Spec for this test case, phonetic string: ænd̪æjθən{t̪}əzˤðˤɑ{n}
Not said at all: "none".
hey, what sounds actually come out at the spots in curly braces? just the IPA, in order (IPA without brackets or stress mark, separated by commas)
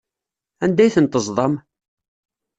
t̪, m